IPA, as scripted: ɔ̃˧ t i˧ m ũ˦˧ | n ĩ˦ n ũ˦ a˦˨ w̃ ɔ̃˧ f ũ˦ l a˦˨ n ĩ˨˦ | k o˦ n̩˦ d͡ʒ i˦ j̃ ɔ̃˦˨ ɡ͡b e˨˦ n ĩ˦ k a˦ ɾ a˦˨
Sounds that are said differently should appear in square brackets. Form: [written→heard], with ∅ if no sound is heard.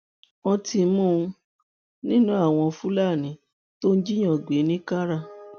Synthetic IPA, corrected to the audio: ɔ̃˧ t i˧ m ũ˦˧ | n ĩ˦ n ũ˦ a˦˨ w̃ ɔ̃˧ f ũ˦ l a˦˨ n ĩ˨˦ | [k→t] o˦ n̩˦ d͡ʒ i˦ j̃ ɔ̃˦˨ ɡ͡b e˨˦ n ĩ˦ k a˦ ɾ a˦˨